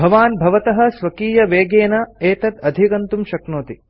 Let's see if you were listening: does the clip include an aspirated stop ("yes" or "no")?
no